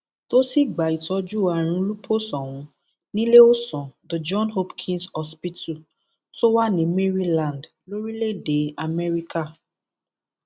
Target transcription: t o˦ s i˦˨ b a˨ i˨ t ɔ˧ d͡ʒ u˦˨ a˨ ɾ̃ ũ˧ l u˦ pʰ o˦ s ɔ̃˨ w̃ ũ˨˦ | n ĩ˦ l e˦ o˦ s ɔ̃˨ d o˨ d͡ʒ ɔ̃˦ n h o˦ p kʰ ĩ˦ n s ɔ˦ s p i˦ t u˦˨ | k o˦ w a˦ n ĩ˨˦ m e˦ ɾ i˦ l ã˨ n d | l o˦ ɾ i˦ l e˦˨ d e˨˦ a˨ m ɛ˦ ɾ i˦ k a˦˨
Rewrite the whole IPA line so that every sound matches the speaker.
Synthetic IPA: t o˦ s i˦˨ ɡ͡b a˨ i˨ t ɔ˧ d͡ʒ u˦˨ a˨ ɾ̃ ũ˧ l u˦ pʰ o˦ s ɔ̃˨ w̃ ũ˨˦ | n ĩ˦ l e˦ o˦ s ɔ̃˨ d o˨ d͡ʒ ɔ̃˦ n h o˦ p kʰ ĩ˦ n s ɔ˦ s p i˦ t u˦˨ | t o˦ w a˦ n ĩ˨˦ m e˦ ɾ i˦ l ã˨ n d | l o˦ ɾ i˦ l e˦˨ d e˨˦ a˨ m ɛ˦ ɾ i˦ k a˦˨